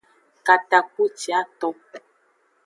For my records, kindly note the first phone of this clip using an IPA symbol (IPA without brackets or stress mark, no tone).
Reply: k